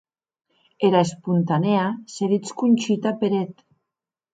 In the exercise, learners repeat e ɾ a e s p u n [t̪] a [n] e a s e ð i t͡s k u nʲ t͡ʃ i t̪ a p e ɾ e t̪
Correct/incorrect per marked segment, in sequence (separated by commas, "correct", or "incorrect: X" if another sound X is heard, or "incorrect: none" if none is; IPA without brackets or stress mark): correct, correct